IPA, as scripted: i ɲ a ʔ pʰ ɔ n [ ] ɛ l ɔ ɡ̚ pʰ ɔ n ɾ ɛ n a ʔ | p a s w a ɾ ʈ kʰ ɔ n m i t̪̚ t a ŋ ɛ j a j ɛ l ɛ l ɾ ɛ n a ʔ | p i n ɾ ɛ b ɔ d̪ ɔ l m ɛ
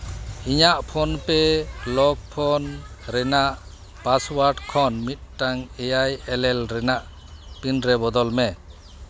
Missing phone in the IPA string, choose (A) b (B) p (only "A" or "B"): B